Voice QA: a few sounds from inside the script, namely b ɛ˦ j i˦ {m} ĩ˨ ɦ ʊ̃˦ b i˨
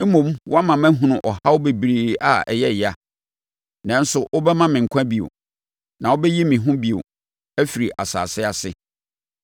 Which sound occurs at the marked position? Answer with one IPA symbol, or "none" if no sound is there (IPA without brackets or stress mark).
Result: m